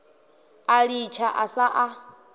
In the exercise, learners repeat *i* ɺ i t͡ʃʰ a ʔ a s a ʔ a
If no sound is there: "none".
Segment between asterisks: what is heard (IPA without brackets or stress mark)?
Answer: a